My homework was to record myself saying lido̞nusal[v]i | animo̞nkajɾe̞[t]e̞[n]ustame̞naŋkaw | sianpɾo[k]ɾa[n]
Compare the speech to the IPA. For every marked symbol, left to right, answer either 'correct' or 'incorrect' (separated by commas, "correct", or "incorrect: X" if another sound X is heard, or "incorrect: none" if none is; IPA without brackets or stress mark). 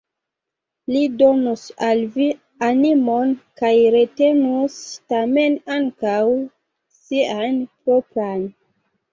correct, correct, correct, incorrect: p, correct